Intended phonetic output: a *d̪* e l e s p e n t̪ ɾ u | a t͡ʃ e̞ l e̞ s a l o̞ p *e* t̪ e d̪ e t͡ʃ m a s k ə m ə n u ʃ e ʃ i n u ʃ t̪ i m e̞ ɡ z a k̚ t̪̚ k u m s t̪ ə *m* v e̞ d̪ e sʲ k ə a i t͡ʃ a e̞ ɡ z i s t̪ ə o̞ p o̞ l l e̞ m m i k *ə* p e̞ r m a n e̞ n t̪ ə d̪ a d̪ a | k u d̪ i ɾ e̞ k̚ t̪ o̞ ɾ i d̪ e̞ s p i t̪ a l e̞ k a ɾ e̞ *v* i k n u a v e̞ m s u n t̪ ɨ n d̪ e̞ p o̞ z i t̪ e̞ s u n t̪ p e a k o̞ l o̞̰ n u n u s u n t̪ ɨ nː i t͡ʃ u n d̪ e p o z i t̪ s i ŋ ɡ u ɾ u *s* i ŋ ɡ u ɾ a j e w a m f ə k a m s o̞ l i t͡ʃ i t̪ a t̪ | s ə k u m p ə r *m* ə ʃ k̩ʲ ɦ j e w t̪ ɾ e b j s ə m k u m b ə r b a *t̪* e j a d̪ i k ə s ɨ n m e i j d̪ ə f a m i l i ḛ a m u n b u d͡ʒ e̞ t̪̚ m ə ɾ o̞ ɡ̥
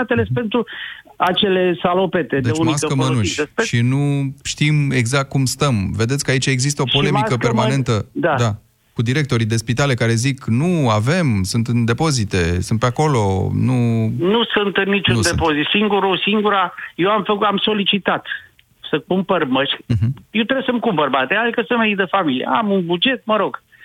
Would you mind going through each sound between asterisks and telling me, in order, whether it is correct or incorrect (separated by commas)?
incorrect, correct, correct, correct, incorrect, correct, correct, correct